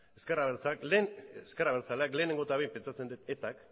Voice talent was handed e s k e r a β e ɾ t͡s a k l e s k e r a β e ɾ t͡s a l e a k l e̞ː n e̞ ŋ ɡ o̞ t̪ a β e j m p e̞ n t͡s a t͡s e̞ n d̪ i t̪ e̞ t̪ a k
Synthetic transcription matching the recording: e s k e r a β e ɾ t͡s a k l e s k e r a β e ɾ t͡s a l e a k l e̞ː n e̞ ŋ ɡ o̞ t̪ a β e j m p e̞ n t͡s a t͡s e̞ n d̪ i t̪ e̞ t̪ a k